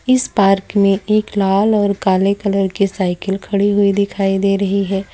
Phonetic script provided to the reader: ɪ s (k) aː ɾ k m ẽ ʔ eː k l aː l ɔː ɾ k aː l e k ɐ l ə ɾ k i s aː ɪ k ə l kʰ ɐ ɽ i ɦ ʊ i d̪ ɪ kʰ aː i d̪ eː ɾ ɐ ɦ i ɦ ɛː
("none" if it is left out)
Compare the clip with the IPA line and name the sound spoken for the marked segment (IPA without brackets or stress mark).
p